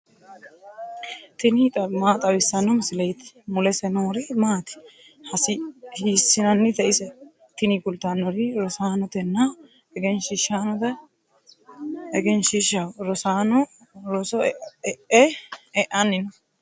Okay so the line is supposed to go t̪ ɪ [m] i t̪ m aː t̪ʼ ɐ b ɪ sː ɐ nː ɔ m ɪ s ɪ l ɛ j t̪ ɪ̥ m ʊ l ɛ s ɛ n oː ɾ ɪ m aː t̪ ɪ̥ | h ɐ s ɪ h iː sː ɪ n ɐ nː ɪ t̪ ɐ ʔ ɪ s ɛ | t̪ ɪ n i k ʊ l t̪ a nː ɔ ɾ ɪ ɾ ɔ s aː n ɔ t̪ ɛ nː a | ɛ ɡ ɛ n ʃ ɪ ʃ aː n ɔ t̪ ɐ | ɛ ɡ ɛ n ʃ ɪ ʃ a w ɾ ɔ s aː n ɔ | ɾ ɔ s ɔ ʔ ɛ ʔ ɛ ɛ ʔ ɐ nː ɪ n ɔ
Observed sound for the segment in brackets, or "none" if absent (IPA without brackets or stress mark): n